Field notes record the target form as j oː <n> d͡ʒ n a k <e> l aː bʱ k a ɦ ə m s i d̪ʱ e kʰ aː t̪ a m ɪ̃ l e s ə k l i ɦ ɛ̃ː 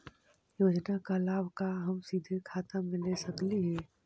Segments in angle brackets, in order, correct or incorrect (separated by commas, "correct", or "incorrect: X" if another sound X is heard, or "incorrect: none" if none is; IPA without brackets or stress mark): incorrect: none, incorrect: a